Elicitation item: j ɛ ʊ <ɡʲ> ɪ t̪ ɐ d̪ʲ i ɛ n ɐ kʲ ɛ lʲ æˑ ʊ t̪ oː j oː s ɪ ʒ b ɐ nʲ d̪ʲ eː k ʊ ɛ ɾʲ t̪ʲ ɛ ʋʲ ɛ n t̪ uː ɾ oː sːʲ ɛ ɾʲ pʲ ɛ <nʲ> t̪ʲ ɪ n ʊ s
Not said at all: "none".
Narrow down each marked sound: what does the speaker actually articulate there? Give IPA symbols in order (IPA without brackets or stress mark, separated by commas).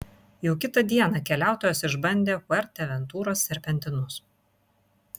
kʲ, nʲ